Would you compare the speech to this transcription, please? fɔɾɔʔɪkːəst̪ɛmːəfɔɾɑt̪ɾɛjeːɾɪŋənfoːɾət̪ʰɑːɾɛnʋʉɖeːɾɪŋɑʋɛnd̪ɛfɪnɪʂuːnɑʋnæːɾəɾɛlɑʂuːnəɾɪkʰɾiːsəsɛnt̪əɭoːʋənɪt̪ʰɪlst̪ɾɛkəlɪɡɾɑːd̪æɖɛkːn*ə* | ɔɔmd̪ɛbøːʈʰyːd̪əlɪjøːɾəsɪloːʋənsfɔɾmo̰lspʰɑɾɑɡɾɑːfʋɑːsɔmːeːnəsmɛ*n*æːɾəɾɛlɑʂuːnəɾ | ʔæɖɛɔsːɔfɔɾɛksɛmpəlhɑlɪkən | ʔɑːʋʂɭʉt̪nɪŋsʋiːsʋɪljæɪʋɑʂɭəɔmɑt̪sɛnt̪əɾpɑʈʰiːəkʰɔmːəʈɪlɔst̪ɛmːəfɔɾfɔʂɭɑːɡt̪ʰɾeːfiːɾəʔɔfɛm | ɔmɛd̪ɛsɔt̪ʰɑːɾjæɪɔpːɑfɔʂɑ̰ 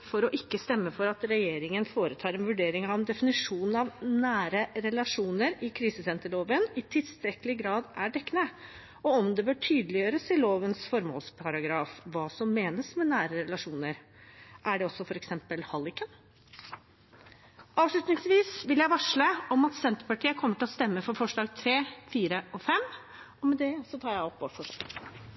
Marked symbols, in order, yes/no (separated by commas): yes, yes